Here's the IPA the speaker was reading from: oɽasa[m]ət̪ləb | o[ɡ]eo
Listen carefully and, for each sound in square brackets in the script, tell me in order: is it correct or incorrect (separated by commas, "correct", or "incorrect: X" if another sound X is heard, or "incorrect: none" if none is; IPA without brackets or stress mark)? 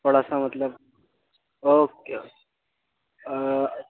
correct, incorrect: k